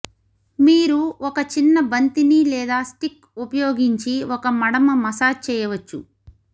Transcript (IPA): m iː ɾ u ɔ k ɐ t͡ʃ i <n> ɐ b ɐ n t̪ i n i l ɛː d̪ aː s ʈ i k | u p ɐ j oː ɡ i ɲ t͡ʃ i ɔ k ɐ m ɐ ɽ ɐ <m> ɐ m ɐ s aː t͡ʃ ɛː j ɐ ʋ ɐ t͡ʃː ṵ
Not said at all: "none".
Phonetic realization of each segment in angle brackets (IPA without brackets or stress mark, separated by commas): nː, m